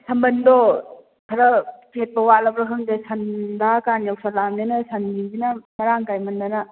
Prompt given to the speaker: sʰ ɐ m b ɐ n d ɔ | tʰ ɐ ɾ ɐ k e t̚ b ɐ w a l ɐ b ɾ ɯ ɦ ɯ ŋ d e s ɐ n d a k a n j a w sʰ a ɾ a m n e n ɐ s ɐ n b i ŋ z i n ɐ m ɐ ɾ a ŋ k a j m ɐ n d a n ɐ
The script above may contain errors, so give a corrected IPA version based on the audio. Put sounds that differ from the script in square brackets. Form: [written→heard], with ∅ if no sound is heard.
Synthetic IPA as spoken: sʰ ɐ m b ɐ n d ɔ | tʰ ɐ ɾ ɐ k e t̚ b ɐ w a l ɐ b ɾ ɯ ɦ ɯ ŋ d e s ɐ n d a k a n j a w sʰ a [ɾ→l] a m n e n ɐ s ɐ n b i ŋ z i n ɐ m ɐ ɾ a ŋ k a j m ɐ n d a n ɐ